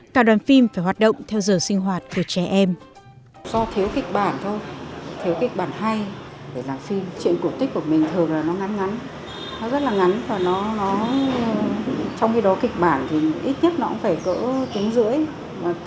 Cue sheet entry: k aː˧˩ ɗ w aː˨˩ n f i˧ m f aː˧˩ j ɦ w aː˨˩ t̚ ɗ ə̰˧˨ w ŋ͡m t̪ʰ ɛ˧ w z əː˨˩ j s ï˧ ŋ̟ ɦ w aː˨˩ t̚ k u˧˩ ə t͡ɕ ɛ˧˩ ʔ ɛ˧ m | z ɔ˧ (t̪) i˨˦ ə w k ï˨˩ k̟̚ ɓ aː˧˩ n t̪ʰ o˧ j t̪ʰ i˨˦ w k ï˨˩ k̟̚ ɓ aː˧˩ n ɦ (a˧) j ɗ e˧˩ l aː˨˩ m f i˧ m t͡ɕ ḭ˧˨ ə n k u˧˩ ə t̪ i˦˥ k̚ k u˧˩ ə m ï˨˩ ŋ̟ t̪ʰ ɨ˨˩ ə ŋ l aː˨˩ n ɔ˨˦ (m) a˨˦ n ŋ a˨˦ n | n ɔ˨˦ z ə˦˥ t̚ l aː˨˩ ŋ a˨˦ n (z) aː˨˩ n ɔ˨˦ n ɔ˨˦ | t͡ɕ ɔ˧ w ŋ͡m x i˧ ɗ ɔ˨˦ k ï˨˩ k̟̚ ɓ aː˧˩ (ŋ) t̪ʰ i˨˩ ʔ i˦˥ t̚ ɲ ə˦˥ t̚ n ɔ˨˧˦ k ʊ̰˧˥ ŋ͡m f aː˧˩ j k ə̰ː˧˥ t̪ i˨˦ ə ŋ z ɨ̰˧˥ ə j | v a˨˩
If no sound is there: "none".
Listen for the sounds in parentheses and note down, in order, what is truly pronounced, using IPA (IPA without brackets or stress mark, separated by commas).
t̪ʰ, a˧, ŋ, v, n